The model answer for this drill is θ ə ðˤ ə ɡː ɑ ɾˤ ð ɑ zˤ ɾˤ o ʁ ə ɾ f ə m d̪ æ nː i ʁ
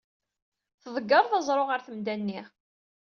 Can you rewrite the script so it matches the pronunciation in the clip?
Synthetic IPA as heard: θ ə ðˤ ə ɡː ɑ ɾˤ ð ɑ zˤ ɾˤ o ʁ ə ɾ θ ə m d̪ æ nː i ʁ